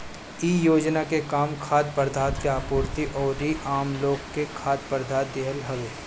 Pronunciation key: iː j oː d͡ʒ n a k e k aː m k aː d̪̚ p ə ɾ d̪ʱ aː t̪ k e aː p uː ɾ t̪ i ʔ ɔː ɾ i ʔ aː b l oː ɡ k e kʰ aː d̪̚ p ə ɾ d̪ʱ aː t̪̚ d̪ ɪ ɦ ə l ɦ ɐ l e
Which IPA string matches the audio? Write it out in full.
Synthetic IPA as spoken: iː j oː d͡ʒ n a k e k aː m kʰ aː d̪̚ p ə ɾ d̪ʱ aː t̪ k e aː p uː ɾ t̪ i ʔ ɔː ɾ i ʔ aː m l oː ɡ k e kʰ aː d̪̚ p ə ɾ d̪ʱ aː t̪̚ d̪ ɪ ɦ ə l ɦ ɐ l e